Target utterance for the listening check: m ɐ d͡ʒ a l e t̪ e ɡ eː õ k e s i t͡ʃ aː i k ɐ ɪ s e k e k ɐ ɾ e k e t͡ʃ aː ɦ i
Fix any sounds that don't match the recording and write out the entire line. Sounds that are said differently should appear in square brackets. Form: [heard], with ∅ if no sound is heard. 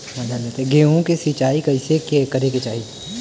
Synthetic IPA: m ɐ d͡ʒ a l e t̪ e ɡ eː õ k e s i t͡ʃ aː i k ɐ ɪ s e k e k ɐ ɾ e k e t͡ʃ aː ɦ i